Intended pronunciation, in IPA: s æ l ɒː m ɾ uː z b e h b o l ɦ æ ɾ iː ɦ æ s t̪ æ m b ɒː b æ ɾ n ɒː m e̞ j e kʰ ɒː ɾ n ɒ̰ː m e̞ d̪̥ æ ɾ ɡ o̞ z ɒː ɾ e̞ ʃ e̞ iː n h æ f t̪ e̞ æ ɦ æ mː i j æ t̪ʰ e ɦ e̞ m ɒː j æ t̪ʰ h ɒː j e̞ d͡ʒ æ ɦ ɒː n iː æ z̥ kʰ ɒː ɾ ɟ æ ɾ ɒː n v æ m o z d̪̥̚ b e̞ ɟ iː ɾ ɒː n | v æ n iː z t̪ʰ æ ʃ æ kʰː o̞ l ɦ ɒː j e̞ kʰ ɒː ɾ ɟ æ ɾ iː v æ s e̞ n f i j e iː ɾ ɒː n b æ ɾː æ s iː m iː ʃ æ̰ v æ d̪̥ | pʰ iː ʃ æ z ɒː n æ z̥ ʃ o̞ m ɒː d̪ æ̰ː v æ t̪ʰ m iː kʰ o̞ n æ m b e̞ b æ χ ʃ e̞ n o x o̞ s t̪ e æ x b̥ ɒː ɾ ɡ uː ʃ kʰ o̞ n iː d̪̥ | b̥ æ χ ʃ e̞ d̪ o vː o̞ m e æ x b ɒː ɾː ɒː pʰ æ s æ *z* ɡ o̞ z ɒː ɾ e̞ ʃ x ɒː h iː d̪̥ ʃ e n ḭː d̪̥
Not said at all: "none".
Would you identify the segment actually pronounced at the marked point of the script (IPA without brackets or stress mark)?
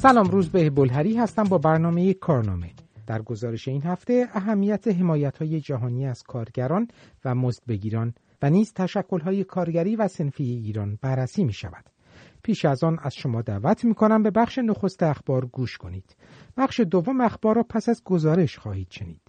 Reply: z